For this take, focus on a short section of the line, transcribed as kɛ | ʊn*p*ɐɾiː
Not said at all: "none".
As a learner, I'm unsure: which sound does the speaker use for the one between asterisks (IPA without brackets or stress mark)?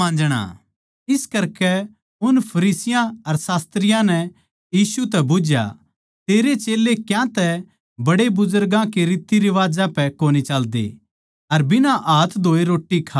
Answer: pʰ